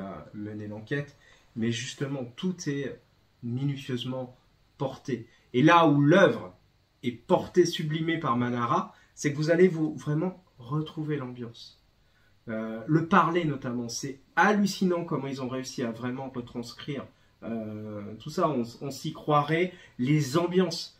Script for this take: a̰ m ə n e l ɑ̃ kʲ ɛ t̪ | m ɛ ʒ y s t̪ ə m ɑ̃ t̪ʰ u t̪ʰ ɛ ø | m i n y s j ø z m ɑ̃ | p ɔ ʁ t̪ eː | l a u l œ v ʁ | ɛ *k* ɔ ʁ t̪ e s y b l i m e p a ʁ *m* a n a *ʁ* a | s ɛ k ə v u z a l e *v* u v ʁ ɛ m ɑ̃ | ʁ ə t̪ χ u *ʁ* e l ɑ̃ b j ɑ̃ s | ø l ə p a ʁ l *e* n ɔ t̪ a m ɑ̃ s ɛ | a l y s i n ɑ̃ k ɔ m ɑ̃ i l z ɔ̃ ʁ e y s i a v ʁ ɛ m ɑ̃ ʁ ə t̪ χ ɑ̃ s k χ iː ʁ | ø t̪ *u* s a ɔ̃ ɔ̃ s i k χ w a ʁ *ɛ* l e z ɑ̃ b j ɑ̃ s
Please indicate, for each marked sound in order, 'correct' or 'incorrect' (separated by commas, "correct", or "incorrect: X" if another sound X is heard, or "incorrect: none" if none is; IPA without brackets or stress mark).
incorrect: p, correct, correct, correct, incorrect: v, correct, correct, correct